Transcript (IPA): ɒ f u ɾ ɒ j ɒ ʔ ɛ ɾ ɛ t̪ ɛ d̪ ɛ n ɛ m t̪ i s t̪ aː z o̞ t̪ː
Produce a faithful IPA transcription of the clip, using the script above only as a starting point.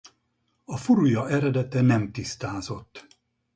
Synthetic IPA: ɒ f u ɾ u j ɒ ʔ ɛ ɾ ɛ d̪ ɛ t̪ ɛ n ɛ m t̪ i s t̪ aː z o̞ t̪ː